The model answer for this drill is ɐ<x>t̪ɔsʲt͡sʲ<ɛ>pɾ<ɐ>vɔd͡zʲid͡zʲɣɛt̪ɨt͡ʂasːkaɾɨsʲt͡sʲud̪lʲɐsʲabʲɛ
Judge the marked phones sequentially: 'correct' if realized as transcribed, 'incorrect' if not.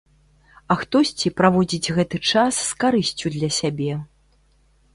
correct, incorrect: i, incorrect: a

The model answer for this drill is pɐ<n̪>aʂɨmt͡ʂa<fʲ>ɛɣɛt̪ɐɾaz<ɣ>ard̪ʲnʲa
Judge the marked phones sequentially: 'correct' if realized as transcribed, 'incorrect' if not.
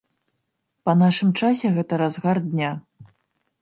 correct, incorrect: sʲ, correct

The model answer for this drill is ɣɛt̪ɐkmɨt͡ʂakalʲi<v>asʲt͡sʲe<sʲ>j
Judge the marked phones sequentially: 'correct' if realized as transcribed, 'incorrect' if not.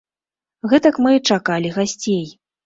incorrect: ɣ, incorrect: none

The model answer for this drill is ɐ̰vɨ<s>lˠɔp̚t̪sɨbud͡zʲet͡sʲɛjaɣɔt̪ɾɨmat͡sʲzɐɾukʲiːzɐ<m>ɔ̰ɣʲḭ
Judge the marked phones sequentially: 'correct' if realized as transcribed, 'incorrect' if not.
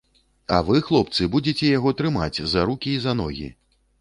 incorrect: x, incorrect: n

